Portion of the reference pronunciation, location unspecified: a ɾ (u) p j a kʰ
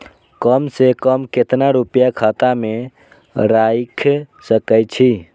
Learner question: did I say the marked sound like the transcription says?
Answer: yes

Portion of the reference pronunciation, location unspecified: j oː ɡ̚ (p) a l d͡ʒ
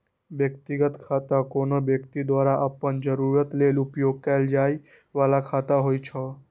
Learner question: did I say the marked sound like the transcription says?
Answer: no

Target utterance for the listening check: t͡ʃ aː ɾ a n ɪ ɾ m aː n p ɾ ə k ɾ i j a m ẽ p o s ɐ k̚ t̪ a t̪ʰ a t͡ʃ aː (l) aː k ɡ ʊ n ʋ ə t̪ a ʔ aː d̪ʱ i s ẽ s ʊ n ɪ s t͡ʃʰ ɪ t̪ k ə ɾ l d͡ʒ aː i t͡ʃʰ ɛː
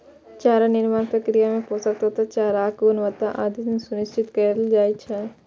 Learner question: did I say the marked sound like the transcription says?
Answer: no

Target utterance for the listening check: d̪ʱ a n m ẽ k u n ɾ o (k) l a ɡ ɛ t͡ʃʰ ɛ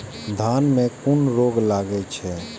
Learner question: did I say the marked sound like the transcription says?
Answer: no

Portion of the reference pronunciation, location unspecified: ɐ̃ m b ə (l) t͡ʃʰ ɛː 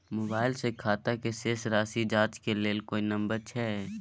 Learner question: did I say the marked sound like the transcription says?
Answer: no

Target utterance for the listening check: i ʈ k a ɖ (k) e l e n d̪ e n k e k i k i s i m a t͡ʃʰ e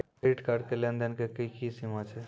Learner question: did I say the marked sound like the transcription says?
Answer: yes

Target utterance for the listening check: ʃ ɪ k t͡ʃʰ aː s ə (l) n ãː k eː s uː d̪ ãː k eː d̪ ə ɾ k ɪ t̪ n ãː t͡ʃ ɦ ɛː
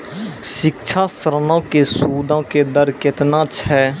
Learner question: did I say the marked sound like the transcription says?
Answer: no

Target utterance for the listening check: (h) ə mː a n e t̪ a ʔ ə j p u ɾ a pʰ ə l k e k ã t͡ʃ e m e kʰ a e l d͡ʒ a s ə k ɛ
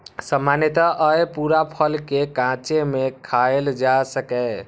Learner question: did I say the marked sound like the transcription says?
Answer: no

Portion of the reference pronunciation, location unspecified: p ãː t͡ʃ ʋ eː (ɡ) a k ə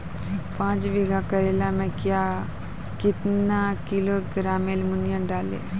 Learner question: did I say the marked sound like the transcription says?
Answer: yes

